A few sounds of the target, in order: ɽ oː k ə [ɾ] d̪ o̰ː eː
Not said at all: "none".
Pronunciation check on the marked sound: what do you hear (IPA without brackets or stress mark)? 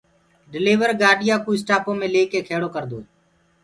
ɾ